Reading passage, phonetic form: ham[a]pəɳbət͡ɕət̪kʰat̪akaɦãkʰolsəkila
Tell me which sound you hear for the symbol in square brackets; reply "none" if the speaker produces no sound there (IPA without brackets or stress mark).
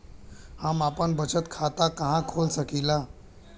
a